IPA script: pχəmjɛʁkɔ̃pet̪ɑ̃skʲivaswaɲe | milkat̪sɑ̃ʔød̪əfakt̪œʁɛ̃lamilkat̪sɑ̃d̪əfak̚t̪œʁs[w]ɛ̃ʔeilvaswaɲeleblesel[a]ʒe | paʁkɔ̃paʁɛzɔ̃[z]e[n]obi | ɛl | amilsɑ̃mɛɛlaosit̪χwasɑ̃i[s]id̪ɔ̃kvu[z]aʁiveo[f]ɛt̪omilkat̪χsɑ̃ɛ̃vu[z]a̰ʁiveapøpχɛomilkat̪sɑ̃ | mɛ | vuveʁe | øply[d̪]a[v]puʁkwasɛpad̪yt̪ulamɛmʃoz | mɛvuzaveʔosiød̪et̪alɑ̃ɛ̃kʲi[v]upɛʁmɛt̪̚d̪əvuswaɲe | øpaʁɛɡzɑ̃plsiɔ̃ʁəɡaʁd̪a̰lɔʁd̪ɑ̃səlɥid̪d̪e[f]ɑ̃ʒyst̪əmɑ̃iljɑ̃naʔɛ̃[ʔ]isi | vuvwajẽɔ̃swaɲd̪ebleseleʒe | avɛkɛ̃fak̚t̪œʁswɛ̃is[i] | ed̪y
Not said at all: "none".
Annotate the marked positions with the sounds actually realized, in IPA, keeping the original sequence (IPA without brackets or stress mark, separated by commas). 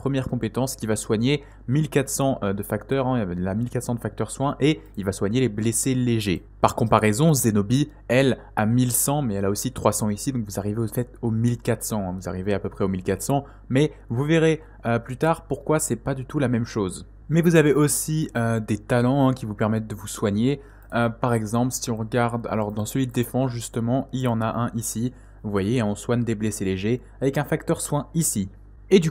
w, e, z, n, s, z, f, z, t̪, ʁ, v, f, ʔ, i